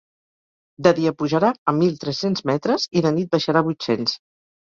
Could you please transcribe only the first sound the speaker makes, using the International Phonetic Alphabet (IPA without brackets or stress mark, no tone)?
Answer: d̪